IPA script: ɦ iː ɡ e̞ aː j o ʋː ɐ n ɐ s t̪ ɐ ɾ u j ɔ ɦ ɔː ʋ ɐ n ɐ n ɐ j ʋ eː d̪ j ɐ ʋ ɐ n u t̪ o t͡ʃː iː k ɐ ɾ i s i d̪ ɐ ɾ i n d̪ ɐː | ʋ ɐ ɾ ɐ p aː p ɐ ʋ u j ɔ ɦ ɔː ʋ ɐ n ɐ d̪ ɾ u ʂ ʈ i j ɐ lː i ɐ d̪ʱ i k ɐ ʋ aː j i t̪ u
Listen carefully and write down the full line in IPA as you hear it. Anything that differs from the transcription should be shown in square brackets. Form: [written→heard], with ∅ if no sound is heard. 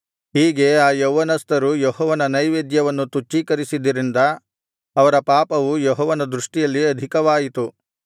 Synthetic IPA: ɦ iː ɡ e̞ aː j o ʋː ɐ n ɐ s t̪ ɐ ɾ u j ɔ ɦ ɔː ʋ ɐ n ɐ n ɐ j ʋ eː d̪ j ɐ ʋ ɐ [n→nː] u t̪ [o→u] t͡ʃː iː k ɐ ɾ i s i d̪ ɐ ɾ i n d̪ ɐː | ʋ ɐ ɾ ɐ p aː p ɐ ʋ u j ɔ ɦ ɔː ʋ ɐ n ɐ d̪ ɾ u ʂ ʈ i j ɐ lː i ɐ d̪ʱ i k ɐ ʋ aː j i t̪ u

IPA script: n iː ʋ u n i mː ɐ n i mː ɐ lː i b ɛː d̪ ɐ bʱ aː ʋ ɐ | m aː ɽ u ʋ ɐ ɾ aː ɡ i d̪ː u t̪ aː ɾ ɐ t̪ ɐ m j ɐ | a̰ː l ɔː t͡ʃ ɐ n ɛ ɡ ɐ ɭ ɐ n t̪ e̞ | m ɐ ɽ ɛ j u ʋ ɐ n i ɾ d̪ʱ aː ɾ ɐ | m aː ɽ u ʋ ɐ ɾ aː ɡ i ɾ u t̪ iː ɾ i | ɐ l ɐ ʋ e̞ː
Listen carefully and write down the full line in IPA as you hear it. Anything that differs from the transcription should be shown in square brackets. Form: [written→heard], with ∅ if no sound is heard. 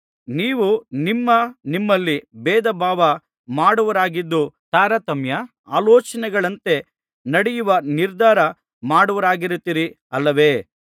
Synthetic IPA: n iː ʋ u n i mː ɐ n i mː ɐ lː i b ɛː d̪ ɐ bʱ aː ʋ ɐ | m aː ɽ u ʋ ɐ ɾ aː ɡ i d̪ː u t̪ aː ɾ ɐ t̪ ɐ m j ɐ | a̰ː l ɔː t͡ʃ ɐ n ɛ ɡ ɐ ɭ ɐ n t̪ e̞ | [m→n] ɐ ɽ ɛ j u ʋ ɐ n i ɾ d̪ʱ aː ɾ ɐ | m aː ɽ u ʋ ɐ ɾ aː ɡ i ɾ u t̪ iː ɾ i | ɐ [l→lː] ɐ ʋ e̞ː

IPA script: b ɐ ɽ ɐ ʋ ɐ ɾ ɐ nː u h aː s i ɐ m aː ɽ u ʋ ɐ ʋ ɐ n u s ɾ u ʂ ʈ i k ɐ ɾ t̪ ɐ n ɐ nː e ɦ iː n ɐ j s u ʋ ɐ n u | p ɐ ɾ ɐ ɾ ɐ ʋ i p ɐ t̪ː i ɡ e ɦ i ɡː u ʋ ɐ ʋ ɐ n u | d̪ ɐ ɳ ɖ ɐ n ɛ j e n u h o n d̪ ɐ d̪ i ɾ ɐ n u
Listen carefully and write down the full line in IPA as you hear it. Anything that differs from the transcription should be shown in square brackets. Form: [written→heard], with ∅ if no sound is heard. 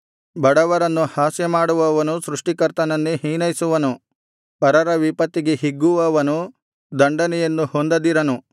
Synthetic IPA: b ɐ ɽ ɐ ʋ ɐ ɾ ɐ nː u h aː s [i→j] ɐ m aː ɽ u ʋ ɐ ʋ ɐ n u s ɾ u ʂ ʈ i k ɐ ɾ t̪ ɐ n ɐ nː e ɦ iː n ɐ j s u ʋ ɐ n u | p ɐ ɾ ɐ ɾ ɐ ʋ i p ɐ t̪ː i ɡ e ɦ i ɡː u ʋ ɐ ʋ ɐ n u | d̪ ɐ ɳ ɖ ɐ n ɛ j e [n→nː] u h o n d̪ ɐ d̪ i ɾ ɐ n u

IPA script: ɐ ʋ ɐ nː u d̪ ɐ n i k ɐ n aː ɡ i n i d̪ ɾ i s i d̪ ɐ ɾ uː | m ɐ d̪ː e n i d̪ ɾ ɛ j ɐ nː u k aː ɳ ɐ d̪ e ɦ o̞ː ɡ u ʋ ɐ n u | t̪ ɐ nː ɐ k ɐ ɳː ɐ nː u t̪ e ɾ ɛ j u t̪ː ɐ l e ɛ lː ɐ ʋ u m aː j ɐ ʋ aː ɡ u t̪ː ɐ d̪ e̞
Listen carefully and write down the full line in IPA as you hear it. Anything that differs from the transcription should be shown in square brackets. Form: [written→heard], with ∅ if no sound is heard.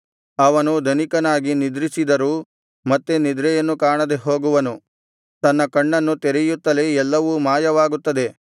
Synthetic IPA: ɐ ʋ ɐ [nː→n] u d̪ ɐ n i k ɐ n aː ɡ i n i d̪ ɾ i s i d̪ ɐ ɾ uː | m ɐ [d̪ː→t̪ː] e n i d̪ ɾ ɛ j ɐ nː u k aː ɳ ɐ d̪ e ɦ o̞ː ɡ u ʋ ɐ n u | t̪ ɐ nː ɐ k ɐ ɳː ɐ nː u t̪ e ɾ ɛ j u t̪ː ɐ l e ɛ lː ɐ ʋ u m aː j ɐ ʋ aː ɡ u t̪ː ɐ d̪ e̞

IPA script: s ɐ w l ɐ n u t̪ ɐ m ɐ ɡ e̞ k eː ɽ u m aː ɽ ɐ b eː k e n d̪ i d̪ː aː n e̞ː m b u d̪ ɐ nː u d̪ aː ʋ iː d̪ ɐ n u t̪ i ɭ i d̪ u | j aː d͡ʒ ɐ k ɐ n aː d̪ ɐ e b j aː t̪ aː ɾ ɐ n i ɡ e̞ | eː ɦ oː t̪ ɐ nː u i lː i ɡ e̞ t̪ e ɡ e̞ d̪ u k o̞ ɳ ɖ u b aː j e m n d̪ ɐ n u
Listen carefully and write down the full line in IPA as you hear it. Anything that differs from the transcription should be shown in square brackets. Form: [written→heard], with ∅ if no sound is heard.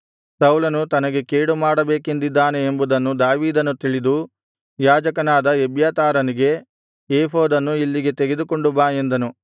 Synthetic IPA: s ɐ w l ɐ n u t̪ ɐ [m→n] ɐ ɡ e̞ k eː ɽ u m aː ɽ ɐ b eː k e n d̪ i d̪ː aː n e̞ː m b u d̪ ɐ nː u d̪ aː ʋ iː d̪ ɐ n u t̪ i ɭ i d̪ u | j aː d͡ʒ ɐ k ɐ n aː d̪ ɐ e b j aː t̪ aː ɾ ɐ n i ɡ e̞ | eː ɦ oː [t̪→d̪] ɐ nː u i lː i ɡ e̞ t̪ e ɡ e̞ d̪ u k o̞ ɳ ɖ u b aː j e [m→∅] n d̪ ɐ n u

